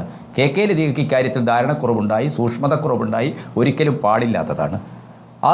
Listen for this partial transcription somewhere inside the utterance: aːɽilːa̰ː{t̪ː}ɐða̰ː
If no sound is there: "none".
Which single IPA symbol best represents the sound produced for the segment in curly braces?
t̪ː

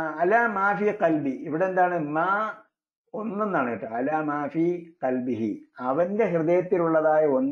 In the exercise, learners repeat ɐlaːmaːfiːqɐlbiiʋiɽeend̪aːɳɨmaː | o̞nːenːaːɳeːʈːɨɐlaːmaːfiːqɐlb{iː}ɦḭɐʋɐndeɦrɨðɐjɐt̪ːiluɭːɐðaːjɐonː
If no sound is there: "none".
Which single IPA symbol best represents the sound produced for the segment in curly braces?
i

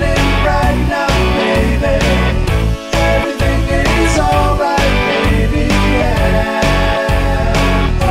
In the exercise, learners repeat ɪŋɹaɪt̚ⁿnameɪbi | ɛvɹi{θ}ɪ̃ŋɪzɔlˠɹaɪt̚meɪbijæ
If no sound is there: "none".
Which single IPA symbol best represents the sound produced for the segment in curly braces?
θ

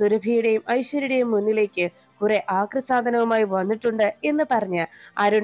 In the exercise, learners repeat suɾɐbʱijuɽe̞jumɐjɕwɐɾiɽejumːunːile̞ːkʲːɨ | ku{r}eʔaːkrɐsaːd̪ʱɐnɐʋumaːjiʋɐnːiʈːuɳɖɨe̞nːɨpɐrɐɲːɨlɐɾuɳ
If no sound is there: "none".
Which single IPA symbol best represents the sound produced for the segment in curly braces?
r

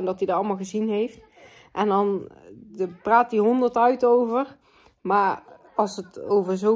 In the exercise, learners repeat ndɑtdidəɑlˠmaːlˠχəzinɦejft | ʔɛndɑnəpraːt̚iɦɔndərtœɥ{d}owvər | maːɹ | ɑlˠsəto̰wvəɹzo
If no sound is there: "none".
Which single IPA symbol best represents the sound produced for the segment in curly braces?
t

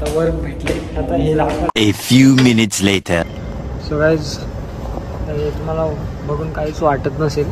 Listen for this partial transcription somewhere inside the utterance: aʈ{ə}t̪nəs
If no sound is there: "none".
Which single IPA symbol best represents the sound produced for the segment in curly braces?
ə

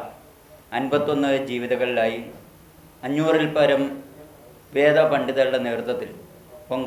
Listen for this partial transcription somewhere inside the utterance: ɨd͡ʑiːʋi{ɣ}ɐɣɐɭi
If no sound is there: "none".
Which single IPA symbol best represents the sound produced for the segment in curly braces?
ð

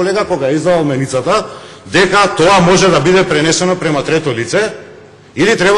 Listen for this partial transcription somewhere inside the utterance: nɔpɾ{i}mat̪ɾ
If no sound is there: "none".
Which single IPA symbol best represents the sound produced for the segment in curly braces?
ɛ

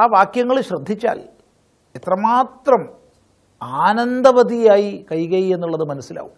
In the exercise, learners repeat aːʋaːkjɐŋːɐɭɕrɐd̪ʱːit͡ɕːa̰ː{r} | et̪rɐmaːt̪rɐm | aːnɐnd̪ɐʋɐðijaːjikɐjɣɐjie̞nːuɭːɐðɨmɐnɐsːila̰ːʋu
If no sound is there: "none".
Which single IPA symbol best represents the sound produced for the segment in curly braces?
l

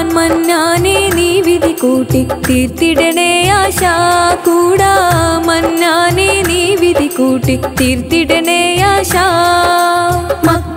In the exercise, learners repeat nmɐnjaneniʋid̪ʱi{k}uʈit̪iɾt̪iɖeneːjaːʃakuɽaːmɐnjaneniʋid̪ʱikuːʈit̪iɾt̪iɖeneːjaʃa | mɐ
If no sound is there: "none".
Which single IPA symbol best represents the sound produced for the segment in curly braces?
k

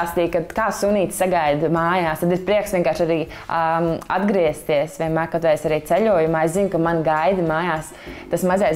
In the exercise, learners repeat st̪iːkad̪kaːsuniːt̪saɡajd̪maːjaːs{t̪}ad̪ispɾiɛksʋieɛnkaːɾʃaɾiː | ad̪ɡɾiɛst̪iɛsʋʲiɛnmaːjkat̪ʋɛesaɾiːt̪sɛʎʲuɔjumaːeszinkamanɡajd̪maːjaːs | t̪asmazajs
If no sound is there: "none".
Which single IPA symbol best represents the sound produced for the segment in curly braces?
t̪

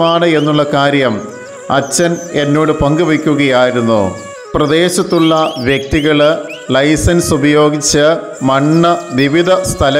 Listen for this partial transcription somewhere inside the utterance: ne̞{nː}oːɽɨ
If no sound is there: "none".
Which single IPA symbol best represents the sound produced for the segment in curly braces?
nː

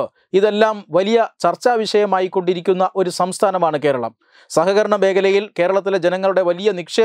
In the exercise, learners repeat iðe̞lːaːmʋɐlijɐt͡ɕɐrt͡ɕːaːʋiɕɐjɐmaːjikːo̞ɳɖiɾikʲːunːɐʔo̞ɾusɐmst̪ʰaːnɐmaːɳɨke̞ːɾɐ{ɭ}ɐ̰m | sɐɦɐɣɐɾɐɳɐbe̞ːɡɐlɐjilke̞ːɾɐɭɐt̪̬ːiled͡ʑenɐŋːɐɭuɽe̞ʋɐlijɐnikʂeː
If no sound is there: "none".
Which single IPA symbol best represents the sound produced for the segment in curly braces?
ɭ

